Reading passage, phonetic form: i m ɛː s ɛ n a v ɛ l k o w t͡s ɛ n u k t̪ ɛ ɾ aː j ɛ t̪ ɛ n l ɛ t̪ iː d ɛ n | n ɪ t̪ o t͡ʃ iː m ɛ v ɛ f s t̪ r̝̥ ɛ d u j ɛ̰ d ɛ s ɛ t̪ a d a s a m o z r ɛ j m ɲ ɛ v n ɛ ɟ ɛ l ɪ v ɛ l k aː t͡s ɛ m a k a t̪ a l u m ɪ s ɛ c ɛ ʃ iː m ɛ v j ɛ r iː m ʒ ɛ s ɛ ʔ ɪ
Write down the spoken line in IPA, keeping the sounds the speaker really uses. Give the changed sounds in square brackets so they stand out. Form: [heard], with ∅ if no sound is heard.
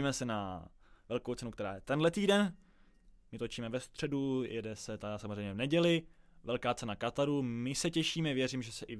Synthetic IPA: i m [ɛ] s ɛ n a v ɛ l k o w t͡s ɛ n u k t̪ ɛ ɾ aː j ɛ t̪ ɛ n l ɛ t̪ iː d ɛ n | [m] ɪ t̪ o t͡ʃ iː m ɛ v ɛ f s t̪ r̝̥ ɛ d u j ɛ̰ d ɛ s ɛ t̪ a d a s a m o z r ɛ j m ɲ ɛ v n ɛ ɟ ɛ l ɪ v ɛ l k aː t͡s ɛ [n] a k a t̪ a [ɾ] u m ɪ s ɛ c ɛ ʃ iː m ɛ v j ɛ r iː m ʒ ɛ s ɛ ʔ ɪ